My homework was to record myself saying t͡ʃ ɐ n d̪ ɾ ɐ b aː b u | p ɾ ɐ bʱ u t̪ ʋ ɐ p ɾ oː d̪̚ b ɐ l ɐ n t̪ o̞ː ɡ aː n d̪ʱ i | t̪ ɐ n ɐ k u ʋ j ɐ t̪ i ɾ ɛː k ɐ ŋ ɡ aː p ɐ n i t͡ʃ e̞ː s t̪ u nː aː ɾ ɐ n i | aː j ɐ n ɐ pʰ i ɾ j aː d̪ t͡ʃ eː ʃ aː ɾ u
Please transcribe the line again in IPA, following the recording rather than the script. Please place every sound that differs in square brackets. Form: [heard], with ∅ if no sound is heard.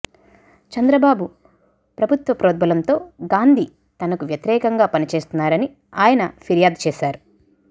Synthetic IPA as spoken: t͡ʃ ɐ n d̪ ɾ ɐ b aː b u | p ɾ ɐ bʱ u t̪ ʋ ɐ p ɾ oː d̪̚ b ɐ l ɐ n t̪ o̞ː ɡ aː n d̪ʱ i | t̪ ɐ n ɐ k u ʋ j ɐ t̪ i ɾ ɛː k ɐ ŋ ɡ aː p ɐ n i t͡ʃ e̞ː s t̪ u nː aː ɾ ɐ n i | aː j ɐ n ɐ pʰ i ɾ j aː d̪ t͡ʃ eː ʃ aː ɾ u